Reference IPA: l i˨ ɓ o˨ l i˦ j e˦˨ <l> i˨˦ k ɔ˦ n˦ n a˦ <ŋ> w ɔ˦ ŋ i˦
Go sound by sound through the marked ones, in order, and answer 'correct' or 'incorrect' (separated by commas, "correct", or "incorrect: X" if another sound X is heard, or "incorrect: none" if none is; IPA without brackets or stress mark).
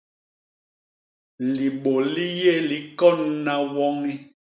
correct, incorrect: none